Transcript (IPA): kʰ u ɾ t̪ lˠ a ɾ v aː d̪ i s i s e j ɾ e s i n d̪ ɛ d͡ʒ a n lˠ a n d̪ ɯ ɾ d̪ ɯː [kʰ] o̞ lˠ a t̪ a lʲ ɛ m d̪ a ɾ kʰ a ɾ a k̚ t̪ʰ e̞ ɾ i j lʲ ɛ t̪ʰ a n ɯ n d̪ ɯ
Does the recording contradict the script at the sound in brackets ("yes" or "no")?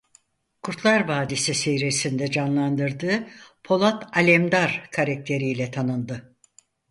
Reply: yes